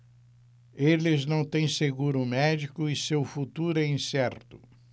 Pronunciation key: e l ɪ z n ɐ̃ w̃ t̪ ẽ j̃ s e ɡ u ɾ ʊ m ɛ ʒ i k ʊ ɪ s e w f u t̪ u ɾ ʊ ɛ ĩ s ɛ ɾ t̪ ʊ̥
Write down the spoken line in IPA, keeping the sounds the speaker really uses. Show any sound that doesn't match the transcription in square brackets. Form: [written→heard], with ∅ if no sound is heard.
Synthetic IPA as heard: e l ɪ z n ɐ̃ w̃ t̪ ẽ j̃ s e ɡ u ɾ ʊ m ɛ [ʒ→d͡ʒ] i k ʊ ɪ s e w f u t̪ u ɾ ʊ ɛ ĩ s ɛ ɾ t̪ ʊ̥

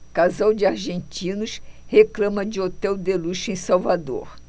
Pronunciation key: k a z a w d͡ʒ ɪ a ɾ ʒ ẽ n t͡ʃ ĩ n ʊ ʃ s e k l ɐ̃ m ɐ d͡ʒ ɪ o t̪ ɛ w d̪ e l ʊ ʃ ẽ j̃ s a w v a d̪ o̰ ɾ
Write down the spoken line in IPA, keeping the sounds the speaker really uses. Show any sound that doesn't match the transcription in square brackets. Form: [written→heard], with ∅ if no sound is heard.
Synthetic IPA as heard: k a z a w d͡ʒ ɪ a ɾ ʒ ẽ n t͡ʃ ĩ n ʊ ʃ [s→h] e k l ɐ̃ m ɐ d͡ʒ ɪ o t̪ ɛ w d̪ e l [ʊ→u] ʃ ẽ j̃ s a w v a d̪ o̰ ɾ

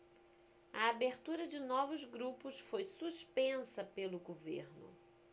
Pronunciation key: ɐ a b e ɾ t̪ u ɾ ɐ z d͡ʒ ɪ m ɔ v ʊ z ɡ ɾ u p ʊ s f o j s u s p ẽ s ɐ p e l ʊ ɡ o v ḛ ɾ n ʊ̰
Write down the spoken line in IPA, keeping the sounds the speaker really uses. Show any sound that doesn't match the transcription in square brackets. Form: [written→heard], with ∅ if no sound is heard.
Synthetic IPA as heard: ɐ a b e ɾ t̪ u ɾ ɐ [z→∅] d͡ʒ ɪ [m→n] ɔ v ʊ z ɡ ɾ u p ʊ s f o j s u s p ẽ s ɐ p e l ʊ ɡ o v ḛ ɾ n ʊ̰

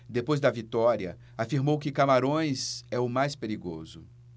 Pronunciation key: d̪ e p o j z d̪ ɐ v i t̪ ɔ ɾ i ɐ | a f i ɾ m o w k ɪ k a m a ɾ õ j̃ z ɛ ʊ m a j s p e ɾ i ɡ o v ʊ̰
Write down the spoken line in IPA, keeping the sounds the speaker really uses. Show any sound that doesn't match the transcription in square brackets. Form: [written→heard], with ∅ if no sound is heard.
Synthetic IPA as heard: d̪ e p o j z d̪ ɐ v i t̪ ɔ ɾ i ɐ | a f i ɾ m o w k ɪ k a m a ɾ õ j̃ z ɛ ʊ m a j s p e ɾ i ɡ o [v→z] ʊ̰

